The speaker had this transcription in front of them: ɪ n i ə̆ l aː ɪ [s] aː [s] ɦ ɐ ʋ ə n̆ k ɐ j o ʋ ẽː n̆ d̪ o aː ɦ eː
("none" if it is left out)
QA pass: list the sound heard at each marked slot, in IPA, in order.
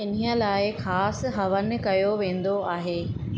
x, s

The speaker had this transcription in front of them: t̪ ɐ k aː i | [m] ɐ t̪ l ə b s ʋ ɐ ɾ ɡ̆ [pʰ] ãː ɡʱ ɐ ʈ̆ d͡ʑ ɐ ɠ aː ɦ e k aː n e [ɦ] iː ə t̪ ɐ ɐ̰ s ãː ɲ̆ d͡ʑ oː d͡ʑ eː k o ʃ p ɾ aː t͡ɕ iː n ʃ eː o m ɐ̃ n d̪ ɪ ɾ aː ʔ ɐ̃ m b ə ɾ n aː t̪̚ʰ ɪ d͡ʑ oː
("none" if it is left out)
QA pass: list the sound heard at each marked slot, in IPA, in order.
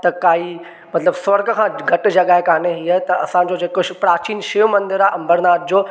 m, kʰ, ɦ

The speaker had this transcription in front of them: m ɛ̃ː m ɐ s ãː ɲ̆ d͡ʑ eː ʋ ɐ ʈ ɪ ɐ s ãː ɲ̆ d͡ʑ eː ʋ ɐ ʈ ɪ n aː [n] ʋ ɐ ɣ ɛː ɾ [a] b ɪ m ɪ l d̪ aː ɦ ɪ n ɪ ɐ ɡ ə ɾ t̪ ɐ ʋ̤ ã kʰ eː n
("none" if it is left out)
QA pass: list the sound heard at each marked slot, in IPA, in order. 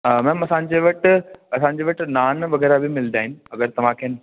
n, a

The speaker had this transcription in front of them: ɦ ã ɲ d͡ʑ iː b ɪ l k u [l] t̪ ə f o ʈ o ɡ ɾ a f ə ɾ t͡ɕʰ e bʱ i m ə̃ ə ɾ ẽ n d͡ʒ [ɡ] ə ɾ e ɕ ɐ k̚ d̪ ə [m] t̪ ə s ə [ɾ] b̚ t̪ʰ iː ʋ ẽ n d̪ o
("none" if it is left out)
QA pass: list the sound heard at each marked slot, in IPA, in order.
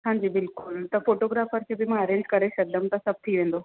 l, k, m, none

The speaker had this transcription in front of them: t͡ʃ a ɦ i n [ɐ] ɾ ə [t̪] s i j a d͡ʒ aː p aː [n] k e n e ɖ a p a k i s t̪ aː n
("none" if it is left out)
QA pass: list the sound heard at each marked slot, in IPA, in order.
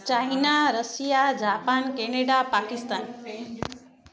a, none, n

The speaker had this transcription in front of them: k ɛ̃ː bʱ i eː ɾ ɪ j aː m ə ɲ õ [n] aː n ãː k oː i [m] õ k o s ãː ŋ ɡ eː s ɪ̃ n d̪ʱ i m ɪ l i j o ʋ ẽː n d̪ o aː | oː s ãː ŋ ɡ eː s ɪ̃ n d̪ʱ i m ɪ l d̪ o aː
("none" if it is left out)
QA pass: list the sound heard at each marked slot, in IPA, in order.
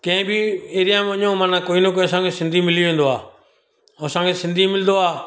m, n

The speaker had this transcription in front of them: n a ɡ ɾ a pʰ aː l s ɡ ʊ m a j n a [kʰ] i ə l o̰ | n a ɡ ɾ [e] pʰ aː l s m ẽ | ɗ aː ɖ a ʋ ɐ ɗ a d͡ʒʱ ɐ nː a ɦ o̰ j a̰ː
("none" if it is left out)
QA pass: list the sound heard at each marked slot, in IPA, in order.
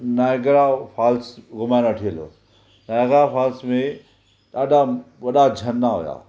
ʈʰ, a

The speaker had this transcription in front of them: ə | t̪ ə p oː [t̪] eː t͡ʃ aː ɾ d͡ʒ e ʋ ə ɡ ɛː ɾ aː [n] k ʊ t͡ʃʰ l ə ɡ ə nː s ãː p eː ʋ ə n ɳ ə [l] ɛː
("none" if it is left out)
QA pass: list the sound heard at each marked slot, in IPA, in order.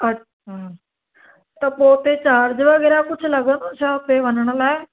t̪, none, l

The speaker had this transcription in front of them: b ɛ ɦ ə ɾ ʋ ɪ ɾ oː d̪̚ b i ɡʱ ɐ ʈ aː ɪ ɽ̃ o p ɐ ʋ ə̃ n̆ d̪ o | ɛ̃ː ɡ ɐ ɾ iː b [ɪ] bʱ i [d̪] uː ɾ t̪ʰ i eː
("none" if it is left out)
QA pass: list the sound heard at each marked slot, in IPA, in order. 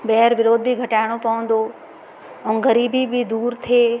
i, d̪

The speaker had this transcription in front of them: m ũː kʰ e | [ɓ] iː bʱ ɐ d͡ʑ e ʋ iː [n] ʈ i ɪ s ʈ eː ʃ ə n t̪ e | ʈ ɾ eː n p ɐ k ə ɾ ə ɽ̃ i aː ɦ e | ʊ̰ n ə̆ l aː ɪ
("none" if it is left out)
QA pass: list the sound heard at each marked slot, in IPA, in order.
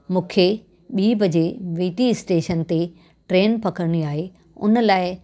ɓ, none

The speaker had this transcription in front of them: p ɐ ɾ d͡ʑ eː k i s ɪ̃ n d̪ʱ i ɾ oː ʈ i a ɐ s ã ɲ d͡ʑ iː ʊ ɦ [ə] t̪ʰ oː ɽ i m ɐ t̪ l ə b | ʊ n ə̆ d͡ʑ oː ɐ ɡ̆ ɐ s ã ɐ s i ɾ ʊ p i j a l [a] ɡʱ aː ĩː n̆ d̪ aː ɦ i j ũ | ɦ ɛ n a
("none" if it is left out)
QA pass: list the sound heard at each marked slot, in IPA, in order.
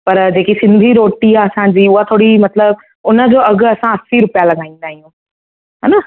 a, ɐ

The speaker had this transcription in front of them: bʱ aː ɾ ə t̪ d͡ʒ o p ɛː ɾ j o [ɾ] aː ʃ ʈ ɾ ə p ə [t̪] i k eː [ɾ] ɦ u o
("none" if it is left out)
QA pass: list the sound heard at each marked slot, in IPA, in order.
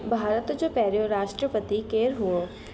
ɾ, t̪, ɾ

